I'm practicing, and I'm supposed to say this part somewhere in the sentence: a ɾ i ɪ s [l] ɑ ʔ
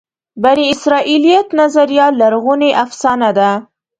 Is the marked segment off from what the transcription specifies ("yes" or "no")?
yes